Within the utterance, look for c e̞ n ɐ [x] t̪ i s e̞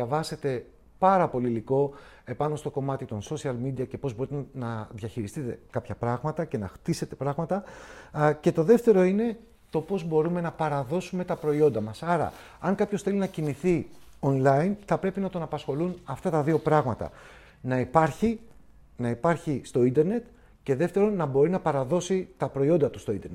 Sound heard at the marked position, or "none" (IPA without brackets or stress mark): x